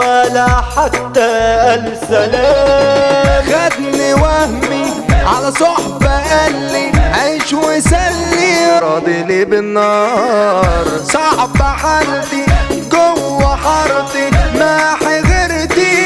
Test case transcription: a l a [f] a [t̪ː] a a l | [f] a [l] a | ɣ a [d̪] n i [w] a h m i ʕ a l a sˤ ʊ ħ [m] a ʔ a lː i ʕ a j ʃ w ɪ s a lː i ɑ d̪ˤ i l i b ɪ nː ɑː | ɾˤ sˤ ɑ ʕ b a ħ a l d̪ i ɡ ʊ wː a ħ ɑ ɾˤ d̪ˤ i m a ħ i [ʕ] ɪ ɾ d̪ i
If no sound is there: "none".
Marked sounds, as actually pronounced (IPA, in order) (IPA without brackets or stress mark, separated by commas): ħ, t̪ː, s, l, d̪, w, b, ɣ